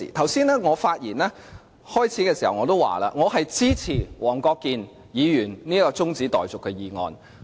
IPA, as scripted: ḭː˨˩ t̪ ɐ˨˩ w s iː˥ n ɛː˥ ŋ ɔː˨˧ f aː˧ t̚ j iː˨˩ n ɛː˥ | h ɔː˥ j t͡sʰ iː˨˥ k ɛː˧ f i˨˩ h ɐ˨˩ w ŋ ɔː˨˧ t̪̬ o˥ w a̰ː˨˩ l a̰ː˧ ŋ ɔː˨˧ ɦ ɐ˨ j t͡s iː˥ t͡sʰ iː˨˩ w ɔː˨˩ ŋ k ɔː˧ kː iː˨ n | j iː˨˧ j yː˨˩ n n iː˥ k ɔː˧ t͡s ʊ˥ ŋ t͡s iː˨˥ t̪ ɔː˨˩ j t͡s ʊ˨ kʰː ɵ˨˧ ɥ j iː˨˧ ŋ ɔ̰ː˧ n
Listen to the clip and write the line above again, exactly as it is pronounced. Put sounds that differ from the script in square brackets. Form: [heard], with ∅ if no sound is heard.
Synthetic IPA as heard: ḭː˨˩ [t̪ʰ] ɐ˨˩ w s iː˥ n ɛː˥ ŋ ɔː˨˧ f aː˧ t̚ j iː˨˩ n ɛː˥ | h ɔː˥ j t͡sʰ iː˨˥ k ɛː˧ [s] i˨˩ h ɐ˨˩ w ŋ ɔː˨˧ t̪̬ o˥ w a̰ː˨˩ l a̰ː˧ ŋ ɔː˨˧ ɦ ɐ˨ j t͡s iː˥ t͡sʰ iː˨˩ w ɔː˨˩ ŋ k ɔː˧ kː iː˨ n | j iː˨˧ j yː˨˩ n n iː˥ k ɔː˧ t͡s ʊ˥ ŋ t͡s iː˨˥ t̪ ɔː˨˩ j t͡s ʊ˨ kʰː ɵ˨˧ ɥ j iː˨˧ ŋ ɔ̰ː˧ n

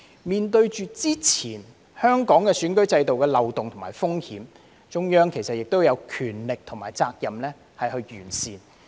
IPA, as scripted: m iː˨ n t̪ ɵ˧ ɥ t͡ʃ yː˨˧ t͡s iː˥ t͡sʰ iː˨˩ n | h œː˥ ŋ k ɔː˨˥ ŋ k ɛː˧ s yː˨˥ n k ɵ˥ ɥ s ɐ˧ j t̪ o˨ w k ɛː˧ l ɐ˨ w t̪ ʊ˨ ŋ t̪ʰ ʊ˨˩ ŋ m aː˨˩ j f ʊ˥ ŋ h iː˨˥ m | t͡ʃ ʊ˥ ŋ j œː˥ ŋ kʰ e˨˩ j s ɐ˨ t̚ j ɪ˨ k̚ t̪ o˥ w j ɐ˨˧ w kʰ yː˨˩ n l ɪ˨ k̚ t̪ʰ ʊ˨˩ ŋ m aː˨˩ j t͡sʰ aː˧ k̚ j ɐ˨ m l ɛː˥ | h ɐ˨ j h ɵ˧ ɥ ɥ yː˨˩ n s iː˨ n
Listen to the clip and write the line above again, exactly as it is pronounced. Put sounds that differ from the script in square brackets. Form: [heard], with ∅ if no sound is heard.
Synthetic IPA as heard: m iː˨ n t̪ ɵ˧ ɥ t͡ʃ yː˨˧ t͡s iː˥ t͡sʰ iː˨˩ n | h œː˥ ŋ k ɔː˨˥ ŋ k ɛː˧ s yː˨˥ n k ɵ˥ ɥ [t͡s] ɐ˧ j t̪ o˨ w k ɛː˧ l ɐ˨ w t̪ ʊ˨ ŋ t̪ʰ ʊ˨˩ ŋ m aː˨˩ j f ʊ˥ ŋ h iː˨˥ m | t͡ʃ ʊ˥ ŋ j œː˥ ŋ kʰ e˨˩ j s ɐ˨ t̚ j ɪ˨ k̚ t̪ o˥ w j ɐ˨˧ w kʰ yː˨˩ n l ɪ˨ k̚ t̪ʰ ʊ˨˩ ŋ m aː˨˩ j [t͡s] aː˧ k̚ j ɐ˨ m l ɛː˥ | h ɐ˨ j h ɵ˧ ɥ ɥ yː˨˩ n s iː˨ n

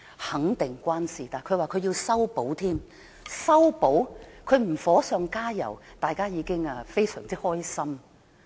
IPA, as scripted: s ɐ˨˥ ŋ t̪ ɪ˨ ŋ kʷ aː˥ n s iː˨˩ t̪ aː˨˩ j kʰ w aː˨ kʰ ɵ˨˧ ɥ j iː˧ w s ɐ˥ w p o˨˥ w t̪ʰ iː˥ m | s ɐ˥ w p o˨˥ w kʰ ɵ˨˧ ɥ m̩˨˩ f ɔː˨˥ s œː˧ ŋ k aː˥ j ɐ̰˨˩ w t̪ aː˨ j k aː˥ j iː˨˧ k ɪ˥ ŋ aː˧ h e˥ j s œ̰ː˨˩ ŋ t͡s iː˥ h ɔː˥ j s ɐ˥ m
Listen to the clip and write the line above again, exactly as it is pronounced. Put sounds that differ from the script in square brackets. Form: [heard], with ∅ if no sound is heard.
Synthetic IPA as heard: [h] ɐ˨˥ ŋ t̪ ɪ˨ ŋ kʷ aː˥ n s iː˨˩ t̪ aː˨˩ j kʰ w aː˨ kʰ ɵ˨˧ ɥ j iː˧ w s ɐ˥ w p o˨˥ w t̪ʰ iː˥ m | s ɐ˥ w p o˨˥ w kʰ ɵ˨˧ ɥ m̩˨˩ f ɔː˨˥ s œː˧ ŋ k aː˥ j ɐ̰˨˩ w t̪ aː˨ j k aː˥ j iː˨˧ k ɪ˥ ŋ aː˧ [f] e˥ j s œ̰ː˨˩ ŋ t͡s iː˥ h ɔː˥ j s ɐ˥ m

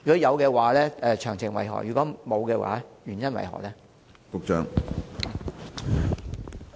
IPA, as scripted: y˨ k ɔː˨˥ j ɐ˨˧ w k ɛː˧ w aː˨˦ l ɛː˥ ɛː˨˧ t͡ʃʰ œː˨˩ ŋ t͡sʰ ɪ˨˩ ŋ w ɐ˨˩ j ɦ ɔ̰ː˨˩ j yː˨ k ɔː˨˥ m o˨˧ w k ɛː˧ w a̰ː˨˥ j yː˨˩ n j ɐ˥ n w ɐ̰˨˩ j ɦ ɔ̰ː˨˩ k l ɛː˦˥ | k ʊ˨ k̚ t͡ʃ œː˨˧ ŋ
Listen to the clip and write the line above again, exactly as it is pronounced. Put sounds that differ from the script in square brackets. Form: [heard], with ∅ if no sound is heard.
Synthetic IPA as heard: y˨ k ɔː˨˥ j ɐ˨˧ w k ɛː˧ w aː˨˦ l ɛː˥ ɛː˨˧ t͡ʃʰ œː˨˩ ŋ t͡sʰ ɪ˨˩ ŋ w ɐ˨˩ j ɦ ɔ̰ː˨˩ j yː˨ k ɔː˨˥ m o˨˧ w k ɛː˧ w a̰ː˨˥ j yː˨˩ n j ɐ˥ n w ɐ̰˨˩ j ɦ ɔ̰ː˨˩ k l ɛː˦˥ | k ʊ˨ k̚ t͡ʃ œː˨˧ ŋ

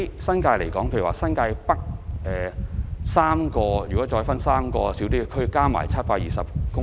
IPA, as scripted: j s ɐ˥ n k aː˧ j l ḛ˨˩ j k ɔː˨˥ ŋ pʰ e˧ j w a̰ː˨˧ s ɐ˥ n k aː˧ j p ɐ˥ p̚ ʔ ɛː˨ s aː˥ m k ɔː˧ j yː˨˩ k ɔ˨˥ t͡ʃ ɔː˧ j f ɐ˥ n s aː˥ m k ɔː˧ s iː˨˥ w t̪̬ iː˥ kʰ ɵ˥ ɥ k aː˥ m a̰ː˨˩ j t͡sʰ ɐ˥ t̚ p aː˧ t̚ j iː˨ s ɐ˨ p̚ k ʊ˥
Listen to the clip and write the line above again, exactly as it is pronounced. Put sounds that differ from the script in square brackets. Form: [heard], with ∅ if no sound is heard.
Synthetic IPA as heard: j s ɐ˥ n k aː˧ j l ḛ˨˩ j k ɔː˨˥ ŋ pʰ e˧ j w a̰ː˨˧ s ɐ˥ n k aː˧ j p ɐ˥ [k̚] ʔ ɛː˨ s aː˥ m k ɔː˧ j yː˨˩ k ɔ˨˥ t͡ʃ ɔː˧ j f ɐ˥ n s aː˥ m k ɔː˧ s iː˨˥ w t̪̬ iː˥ kʰ ɵ˥ ɥ k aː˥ m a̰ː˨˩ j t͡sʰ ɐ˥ t̚ p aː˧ [k̚] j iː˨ s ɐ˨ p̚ k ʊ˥

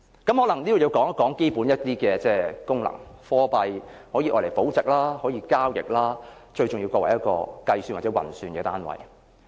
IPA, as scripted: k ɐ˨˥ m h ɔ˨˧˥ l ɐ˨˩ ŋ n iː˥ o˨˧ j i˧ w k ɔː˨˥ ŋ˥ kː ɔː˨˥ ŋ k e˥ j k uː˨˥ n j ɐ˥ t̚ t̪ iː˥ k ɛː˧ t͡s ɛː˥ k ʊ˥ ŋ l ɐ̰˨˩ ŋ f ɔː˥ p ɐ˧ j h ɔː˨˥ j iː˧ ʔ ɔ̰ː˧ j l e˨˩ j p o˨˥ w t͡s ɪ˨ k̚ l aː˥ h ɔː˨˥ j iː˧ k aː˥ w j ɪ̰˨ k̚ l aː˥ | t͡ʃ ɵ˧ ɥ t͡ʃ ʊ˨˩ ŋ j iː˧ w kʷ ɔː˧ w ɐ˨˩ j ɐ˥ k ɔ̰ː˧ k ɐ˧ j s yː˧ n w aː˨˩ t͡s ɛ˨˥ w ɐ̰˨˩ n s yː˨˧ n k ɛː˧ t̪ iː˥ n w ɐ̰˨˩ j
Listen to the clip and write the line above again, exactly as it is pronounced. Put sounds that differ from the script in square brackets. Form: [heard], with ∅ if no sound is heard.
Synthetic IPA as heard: k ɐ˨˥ m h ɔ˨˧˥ l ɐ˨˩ ŋ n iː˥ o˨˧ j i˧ w k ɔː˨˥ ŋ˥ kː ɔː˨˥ ŋ k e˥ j [p] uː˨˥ n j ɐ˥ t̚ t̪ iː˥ k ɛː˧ t͡s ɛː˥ k ʊ˥ ŋ l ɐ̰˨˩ ŋ f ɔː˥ p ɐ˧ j h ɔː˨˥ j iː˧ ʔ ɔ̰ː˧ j l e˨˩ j p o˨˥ w t͡s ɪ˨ k̚ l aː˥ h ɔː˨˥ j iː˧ k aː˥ w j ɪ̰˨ k̚ l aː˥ | t͡ʃ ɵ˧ ɥ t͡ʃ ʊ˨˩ ŋ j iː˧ w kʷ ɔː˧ w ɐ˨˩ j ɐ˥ k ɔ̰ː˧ k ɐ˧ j s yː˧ n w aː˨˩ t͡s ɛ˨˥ w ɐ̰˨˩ n s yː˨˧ n k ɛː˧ t̪ [aː˥] n w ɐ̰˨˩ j

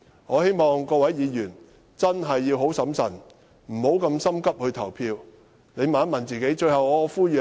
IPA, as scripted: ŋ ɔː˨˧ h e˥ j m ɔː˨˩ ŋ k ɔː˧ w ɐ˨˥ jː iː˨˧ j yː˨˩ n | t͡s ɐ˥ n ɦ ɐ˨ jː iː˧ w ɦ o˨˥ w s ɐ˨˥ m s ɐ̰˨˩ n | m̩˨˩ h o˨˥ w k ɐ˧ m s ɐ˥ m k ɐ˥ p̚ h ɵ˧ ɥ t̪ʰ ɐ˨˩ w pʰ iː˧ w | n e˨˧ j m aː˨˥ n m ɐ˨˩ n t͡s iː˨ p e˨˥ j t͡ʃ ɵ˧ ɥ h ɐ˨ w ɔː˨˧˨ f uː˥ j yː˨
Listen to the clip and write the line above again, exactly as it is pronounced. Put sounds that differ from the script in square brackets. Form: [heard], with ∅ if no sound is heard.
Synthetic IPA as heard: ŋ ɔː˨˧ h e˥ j m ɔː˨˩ ŋ k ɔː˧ w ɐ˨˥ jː iː˨˧ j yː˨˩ n | t͡s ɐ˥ n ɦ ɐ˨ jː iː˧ w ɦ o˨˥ w s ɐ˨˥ m s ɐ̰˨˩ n | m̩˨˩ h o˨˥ w k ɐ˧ m s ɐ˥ m k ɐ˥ p̚ h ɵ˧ ɥ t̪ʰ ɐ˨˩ w pʰ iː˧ w | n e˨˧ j m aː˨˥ n m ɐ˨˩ n t͡s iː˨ [k] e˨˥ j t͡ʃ ɵ˧ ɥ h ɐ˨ w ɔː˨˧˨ f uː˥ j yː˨

